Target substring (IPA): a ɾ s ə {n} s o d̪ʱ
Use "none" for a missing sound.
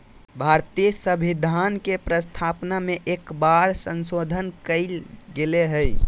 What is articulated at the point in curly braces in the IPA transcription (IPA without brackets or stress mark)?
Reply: n